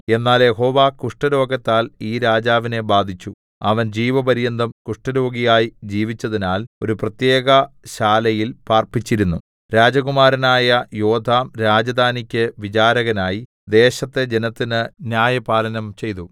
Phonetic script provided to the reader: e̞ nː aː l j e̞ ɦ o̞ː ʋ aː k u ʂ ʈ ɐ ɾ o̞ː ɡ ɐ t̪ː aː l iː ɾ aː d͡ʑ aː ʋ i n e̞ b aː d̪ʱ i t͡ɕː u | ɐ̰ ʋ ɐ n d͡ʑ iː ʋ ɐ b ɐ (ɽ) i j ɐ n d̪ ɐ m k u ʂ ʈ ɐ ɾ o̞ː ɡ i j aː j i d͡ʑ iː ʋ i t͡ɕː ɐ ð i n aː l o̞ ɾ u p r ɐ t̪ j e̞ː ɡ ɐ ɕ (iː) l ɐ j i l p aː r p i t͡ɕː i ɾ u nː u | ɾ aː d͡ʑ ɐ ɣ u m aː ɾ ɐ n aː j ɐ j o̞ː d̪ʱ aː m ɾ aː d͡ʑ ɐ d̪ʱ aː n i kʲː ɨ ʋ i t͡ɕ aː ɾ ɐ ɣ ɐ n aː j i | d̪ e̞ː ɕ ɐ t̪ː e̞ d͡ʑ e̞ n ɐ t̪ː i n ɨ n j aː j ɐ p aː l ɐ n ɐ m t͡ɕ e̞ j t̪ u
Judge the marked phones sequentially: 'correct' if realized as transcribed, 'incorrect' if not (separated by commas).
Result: incorrect, incorrect